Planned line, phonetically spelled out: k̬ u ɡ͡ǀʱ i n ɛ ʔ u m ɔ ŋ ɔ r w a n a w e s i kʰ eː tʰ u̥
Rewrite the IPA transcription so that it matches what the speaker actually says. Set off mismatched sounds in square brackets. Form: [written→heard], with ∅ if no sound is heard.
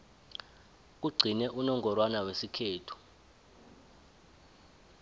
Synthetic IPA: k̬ u ɡ͡ǀʱ i n ɛ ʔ u [m→n] ɔ ŋ ɔ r w a n a w e s i kʰ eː tʰ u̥